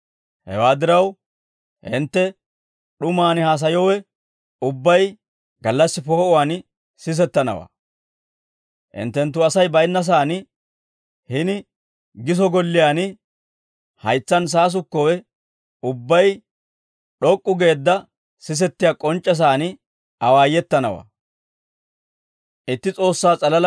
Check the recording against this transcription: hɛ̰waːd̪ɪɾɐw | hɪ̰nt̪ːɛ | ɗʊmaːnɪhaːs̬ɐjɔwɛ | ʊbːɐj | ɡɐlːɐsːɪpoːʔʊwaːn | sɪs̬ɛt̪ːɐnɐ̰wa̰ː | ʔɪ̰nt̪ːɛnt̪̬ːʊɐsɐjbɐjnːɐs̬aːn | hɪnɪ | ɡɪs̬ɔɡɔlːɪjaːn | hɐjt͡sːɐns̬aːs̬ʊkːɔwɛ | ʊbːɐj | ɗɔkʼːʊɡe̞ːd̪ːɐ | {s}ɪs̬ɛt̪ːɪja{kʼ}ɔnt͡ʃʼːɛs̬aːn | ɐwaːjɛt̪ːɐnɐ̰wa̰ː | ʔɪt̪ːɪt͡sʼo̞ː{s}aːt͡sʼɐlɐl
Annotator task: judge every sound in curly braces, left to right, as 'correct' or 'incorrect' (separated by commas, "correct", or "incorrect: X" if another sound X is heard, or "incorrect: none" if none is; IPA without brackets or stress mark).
correct, correct, incorrect: sː